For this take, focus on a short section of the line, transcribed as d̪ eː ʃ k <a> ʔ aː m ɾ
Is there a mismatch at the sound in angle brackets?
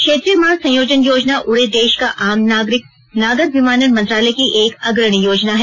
no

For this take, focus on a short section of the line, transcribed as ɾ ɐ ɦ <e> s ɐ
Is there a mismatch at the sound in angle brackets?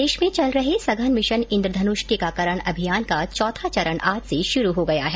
no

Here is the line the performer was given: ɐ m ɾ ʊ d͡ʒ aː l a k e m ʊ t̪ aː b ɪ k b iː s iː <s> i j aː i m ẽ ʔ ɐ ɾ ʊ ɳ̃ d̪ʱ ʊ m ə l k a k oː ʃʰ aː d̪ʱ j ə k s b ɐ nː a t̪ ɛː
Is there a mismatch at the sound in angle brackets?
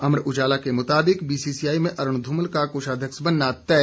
no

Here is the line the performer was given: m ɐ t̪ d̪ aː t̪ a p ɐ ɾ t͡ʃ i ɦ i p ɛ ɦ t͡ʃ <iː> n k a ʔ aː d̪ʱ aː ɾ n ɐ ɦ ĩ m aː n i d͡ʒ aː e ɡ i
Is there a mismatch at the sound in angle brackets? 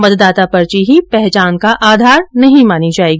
yes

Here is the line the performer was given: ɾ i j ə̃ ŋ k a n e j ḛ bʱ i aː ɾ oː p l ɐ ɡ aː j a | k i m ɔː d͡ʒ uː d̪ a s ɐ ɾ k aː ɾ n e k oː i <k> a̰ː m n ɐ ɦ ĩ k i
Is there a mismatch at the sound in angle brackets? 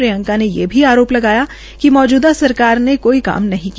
no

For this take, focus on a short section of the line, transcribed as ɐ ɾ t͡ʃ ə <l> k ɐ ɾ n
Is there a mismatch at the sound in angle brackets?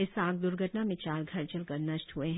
no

